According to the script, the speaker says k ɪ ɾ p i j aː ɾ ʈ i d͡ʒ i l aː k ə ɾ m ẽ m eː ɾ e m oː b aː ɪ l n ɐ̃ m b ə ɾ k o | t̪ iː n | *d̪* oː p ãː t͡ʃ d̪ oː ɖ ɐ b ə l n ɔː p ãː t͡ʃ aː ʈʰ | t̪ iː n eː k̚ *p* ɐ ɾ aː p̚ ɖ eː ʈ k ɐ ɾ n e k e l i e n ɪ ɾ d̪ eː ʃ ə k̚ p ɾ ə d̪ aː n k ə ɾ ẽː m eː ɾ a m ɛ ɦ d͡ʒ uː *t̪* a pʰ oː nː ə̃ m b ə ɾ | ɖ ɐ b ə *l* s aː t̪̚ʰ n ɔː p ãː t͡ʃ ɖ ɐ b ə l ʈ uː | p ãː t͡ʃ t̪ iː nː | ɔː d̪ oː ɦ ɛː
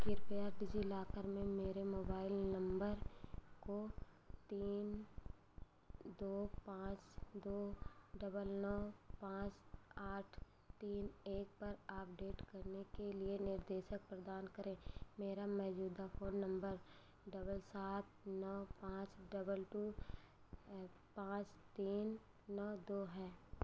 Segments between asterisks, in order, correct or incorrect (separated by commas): correct, correct, incorrect, correct